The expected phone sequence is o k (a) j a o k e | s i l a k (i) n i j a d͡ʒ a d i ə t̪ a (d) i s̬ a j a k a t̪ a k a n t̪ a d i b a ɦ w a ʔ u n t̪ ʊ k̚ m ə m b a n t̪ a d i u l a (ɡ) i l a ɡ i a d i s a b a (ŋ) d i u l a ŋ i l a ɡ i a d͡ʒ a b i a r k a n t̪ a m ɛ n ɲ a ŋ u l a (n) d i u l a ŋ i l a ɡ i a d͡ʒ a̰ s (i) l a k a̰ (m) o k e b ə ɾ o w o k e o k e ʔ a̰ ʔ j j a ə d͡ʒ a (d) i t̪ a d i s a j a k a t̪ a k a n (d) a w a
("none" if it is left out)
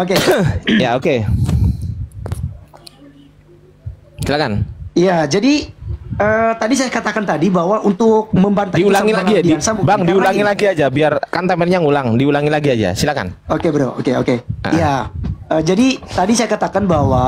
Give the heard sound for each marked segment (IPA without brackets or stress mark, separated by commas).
e, a, d, ŋ, ŋ, ŋ, i, n, d, b